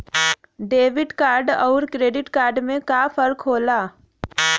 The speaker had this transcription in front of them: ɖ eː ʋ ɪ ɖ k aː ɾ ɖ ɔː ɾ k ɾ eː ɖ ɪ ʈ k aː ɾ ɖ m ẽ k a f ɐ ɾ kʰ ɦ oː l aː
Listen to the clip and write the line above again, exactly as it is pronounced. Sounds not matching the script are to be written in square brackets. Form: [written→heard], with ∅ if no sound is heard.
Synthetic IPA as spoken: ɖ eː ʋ ɪ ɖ k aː ɾ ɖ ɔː ɾ k ɾ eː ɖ ɪ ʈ k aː ɾ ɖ m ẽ k a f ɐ ɾ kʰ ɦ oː l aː